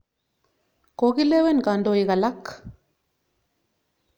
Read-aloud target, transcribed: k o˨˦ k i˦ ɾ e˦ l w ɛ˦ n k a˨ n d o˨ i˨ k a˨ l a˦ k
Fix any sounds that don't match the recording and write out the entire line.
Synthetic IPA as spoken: k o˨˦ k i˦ l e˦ w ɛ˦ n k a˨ n d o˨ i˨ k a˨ l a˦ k